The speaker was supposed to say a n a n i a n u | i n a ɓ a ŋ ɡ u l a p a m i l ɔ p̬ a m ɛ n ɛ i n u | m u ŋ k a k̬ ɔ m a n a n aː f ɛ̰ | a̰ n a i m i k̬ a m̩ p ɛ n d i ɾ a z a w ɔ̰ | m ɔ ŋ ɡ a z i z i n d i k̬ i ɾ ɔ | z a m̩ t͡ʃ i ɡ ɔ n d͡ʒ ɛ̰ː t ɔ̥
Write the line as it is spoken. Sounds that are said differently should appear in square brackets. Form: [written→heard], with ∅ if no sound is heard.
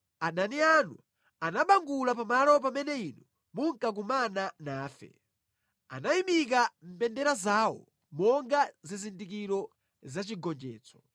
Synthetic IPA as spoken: a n a n i a n u | [i→a] n a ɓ a ŋ ɡ u l a p a m [i→a] l ɔ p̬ a m ɛ n ɛ i n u | m u ŋ k a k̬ [ɔ→u] m a n a n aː f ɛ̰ | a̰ n a i m i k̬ a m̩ p ɛ n d [i→ɛ] ɾ a z a w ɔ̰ | m ɔ ŋ ɡ a z i z i n d i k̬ i ɾ ɔ | z a [m̩→∅] t͡ʃ i ɡ ɔ n d͡ʒ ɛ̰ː [t→t͡s] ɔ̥